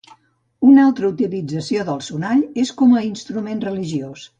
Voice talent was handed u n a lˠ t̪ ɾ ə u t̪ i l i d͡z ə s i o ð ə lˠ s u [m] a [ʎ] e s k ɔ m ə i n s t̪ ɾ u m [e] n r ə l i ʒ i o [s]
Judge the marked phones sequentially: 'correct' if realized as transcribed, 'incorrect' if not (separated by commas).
incorrect, correct, correct, correct